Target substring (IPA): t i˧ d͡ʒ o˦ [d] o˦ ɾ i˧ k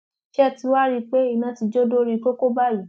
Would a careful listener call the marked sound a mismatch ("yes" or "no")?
no